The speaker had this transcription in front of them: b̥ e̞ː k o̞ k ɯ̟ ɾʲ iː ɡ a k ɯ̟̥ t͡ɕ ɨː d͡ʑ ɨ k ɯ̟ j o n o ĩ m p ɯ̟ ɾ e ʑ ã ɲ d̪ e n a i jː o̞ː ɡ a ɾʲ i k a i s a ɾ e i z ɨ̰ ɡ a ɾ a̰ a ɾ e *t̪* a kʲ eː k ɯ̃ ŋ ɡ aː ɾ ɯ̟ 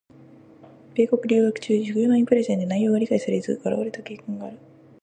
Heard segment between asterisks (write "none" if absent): t̪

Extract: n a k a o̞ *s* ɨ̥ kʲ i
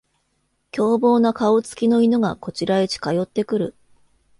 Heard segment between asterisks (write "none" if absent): t͡s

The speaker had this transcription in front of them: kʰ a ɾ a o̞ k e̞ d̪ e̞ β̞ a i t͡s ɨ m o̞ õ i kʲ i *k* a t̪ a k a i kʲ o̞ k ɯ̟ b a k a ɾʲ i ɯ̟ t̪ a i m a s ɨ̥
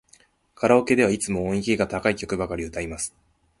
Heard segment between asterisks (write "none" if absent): ɡ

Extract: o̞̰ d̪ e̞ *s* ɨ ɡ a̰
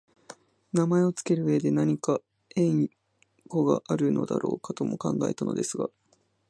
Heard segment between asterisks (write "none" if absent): s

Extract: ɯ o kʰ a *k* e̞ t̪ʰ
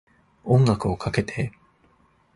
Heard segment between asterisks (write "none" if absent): k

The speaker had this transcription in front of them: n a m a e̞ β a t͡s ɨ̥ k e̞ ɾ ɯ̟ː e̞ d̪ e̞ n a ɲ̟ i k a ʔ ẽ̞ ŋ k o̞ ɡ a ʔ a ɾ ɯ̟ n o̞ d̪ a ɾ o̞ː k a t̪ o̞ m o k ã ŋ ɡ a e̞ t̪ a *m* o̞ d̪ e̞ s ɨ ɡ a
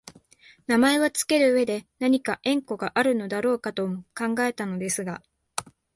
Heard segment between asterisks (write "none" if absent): n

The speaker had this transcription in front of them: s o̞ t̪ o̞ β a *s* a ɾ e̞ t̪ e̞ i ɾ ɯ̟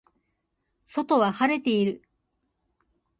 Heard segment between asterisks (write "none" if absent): h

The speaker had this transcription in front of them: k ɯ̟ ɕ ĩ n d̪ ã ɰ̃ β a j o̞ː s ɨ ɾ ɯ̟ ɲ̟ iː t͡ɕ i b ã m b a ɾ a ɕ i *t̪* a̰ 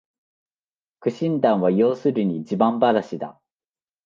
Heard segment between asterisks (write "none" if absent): d̪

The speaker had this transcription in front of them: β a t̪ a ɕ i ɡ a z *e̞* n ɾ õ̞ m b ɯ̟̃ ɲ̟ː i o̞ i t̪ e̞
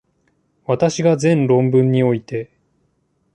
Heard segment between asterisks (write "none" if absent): ẽ̞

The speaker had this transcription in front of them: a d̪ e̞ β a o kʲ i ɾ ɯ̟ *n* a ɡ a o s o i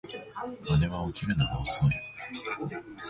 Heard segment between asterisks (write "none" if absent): n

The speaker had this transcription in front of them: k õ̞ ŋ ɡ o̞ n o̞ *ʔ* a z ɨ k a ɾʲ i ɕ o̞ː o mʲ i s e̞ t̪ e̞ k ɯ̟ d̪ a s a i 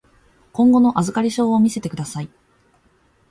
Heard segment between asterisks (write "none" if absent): ʔ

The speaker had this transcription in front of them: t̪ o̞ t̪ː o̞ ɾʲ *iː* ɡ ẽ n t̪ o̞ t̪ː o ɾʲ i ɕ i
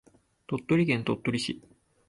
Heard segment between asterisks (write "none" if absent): i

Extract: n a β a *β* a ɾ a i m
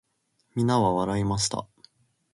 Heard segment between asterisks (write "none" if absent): β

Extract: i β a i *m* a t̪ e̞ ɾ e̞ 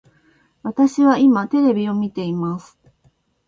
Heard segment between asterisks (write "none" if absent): m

